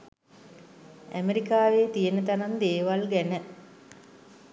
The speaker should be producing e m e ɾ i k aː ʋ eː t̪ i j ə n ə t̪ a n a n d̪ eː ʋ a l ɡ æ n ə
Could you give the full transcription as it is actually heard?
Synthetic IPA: æ m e ɾ i k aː ʋ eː t̪ i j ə n ə t̪ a n a n d̪ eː ʋ a l ɡ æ n ə